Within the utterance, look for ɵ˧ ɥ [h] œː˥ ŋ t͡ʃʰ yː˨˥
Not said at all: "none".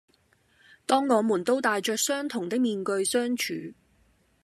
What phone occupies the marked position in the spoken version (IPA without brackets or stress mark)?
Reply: s